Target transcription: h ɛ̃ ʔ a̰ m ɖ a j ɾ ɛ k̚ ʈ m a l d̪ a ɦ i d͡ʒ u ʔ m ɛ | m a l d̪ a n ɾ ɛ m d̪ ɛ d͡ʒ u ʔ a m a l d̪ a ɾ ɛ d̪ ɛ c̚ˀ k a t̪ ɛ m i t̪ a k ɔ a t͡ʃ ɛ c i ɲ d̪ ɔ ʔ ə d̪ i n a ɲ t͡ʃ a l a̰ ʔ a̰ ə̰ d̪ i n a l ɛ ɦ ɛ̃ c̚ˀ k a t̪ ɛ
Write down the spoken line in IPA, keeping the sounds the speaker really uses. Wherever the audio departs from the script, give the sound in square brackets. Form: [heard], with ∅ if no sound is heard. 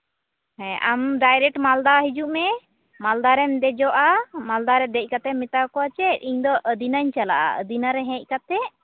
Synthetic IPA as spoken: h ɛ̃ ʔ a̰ m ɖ a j ɾ ɛ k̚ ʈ m a l d̪ a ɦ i d͡ʒ u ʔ m ɛ | m a l d̪ a [∅] ɾ ɛ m d̪ ɛ d͡ʒ [ɔ] ʔ a m a l d̪ a ɾ ɛ d̪ ɛ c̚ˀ k a t̪ ɛ m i t̪ a k ɔ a t͡ʃ ɛ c i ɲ d̪ ɔ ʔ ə d̪ i n a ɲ t͡ʃ a l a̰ ʔ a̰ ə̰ d̪ i n a [ɾ] ɛ ɦ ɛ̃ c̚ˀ k a t̪ ɛ